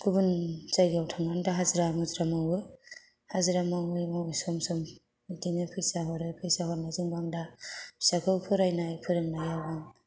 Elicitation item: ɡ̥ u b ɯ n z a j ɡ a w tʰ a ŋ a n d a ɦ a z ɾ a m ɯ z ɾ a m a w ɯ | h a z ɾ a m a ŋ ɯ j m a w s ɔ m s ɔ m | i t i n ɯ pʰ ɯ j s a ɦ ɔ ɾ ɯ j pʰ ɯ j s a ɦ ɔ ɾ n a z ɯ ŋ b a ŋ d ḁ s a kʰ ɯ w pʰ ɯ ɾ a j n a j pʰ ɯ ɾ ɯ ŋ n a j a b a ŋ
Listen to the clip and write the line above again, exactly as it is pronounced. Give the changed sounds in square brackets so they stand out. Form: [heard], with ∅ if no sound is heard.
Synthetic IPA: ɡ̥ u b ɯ n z a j ɡ a w tʰ a ŋ a n d a ɦ a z ɾ a m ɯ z ɾ a m a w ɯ | h a z ɾ a m a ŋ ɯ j m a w s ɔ m s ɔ m | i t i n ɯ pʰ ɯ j s a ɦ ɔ ɾ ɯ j pʰ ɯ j s a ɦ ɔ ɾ n a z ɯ ŋ b a ŋ d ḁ s a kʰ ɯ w pʰ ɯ ɾ a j n a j pʰ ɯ ɾ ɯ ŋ n a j a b a ŋ